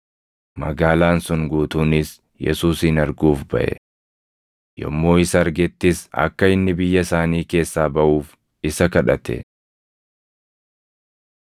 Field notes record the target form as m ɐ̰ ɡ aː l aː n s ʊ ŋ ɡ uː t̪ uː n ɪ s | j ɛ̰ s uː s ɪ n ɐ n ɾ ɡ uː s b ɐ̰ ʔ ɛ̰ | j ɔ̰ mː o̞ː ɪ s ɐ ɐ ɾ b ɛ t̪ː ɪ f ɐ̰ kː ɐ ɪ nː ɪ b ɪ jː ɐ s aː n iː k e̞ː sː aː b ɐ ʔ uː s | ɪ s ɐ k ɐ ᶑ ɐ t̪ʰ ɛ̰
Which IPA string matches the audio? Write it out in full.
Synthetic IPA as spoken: m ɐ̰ ɡ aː l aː n s ʊ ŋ ɡ uː t̪ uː n ɪ s | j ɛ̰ s uː s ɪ n ɐ ɾ ɡ uː f b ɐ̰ ʔ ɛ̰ | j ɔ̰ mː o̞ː ɪ s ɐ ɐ ɾ ɡ ɛ t̪ː ɪ s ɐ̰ kː ɐ ɪ nː ɪ b ɪ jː ɐ s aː n iː k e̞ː sː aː b ɐ ʔ uː f | ɪ s ɐ k ɐ ᶑ ɐ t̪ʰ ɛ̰